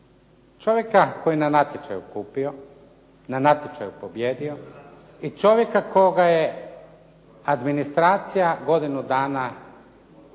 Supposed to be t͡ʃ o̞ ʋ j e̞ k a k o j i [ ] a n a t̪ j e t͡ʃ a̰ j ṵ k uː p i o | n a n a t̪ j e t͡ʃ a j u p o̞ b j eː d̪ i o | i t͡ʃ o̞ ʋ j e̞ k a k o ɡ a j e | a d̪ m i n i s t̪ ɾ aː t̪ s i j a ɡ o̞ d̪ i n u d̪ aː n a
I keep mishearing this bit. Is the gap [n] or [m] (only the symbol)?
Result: n